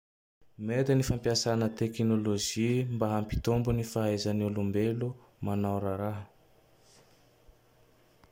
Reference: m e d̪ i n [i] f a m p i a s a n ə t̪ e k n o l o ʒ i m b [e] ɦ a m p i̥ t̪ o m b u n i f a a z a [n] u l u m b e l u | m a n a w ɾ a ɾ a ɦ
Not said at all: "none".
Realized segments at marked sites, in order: i, a, n

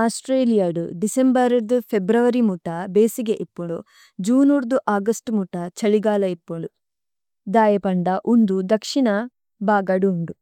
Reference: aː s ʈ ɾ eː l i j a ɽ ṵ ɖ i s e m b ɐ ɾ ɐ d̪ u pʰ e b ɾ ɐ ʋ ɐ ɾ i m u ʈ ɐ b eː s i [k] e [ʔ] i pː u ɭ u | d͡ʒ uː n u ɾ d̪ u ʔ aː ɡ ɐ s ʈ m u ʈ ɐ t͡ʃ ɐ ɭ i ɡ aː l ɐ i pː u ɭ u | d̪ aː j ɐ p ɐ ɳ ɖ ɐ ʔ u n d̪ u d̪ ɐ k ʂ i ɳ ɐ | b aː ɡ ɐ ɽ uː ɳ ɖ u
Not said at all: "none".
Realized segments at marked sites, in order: ɡ, ʔ

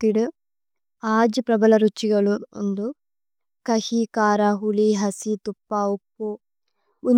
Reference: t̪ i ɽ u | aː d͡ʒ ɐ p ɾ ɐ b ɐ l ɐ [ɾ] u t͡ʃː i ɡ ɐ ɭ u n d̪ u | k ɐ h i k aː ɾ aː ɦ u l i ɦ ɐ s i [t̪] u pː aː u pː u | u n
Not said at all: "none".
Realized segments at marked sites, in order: ɾ, t̪

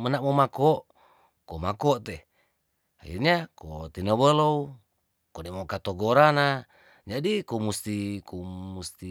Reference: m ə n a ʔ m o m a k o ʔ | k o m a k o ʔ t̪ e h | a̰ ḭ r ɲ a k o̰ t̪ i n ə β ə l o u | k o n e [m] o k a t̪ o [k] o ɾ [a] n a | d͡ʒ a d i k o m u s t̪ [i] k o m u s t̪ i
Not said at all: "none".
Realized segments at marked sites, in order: m, ɡ, a, i

